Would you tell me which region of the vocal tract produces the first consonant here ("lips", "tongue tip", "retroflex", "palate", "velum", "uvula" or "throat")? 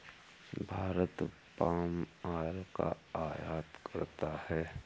lips